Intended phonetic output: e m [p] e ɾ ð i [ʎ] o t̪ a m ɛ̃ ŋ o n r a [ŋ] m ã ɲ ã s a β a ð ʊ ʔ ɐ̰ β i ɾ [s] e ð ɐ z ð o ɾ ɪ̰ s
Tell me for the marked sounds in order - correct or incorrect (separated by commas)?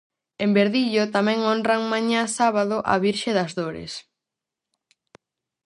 incorrect, correct, correct, incorrect